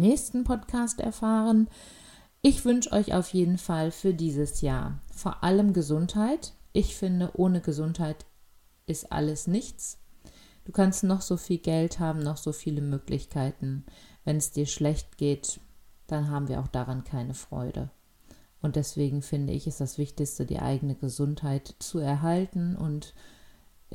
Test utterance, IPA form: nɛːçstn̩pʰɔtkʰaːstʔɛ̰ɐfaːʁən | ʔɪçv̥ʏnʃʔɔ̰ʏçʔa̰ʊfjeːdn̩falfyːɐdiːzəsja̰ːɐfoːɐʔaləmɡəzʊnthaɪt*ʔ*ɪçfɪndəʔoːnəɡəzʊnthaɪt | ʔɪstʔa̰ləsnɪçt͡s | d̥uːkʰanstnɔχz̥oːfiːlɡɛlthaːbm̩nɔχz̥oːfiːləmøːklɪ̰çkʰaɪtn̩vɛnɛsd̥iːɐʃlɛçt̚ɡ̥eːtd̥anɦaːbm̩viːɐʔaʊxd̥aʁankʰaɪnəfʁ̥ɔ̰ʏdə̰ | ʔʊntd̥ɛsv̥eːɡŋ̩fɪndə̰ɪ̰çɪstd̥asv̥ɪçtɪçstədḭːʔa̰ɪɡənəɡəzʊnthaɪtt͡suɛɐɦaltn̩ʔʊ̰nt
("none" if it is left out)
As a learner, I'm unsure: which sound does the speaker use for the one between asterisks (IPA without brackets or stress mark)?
ʔ